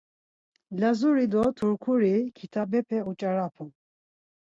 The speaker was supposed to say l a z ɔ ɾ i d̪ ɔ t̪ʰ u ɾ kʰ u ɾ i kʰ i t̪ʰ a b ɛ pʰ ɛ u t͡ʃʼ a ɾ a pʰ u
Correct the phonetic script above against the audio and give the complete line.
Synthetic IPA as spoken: l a z u ɾ i d̪ ɔ t̪ʰ u ɾ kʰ u ɾ i kʰ i t̪ʰ a b ɛ pʰ ɛ u t͡ʃʼ a ɾ a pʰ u